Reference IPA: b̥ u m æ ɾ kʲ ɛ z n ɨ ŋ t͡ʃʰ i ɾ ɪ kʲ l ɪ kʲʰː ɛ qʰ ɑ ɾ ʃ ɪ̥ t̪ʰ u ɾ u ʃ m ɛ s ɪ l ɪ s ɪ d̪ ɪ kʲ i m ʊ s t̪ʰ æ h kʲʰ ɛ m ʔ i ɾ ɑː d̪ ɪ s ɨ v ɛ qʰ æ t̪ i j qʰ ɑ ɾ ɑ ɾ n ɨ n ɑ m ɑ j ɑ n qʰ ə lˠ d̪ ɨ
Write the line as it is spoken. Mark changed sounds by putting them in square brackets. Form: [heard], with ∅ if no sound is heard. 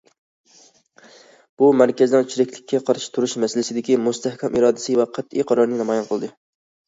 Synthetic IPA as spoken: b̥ u m æ ɾ kʲ ɛ z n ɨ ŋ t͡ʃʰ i ɾ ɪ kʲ l ɪ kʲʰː ɛ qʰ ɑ ɾ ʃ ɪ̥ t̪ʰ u ɾ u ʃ m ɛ s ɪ l ɪ s ɪ d̪ ɪ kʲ i m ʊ s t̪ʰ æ h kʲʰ ɛ m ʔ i ɾ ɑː d̪ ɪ s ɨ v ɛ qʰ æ t̪ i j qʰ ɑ ɾ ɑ ɾ n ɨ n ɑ m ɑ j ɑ n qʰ ə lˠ d̪ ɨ